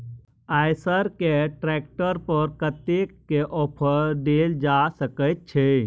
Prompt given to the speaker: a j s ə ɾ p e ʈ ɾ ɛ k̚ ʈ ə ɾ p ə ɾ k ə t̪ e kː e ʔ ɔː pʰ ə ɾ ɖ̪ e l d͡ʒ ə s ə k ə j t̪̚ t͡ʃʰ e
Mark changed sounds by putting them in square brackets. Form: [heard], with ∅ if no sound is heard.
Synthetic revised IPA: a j s ə ɾ [k] e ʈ ɾ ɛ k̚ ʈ ə ɾ p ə ɾ k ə t̪ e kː e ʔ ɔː pʰ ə ɾ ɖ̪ e l d͡ʒ [a] s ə k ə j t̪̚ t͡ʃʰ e

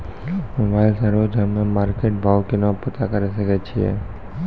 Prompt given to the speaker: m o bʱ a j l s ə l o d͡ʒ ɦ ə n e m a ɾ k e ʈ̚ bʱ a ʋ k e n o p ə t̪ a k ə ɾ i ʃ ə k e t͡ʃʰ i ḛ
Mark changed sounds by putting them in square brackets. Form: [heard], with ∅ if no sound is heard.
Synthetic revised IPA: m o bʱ a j l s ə [ɾ] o d͡ʒ ɦ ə [m] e m a ɾ k e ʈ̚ bʱ a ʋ k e n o p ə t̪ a k ə ɾ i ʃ ə k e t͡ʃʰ i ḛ

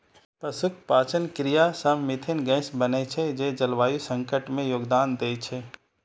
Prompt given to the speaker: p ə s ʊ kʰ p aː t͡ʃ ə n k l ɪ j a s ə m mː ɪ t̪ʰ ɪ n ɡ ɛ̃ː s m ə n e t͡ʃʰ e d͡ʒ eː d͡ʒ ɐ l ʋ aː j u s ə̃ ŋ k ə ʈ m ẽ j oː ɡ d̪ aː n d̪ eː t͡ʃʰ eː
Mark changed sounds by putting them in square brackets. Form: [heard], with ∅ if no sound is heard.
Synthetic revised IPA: p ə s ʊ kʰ p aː t͡ʃ ə n k [ɾ] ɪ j a s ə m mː ɪ t̪ʰ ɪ n ɡ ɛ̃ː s [b] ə n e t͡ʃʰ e d͡ʒ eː d͡ʒ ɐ l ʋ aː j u s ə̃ ŋ k ə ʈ m ẽ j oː ɡ d̪ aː n d̪ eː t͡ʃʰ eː

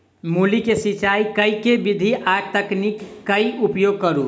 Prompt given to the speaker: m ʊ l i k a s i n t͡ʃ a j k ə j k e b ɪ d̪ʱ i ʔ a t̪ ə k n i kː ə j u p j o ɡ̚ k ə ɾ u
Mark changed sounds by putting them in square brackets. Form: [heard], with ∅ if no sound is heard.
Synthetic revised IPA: m [u] l i k [e] s i [∅] t͡ʃ a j k ə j k e b [i] d̪ʱ i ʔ a t̪ ə k n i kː ə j u p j o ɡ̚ k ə ɾ u

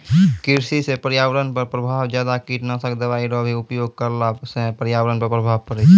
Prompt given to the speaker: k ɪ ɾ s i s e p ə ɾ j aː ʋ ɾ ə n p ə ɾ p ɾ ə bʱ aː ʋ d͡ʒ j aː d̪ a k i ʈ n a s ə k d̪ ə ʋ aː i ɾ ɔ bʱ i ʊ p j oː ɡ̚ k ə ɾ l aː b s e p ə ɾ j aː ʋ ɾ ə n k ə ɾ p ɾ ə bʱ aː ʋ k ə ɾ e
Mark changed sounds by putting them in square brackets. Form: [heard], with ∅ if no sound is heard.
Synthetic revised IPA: k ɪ ɾ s i s e p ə ɾ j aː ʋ ɾ ə n p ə ɾ p ɾ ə bʱ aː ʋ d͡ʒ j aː d̪ a k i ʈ n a s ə k d̪ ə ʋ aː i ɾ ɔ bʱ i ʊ p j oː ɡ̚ k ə ɾ l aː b s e p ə ɾ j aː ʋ ɾ ə n [p] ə ɾ p ɾ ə bʱ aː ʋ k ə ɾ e

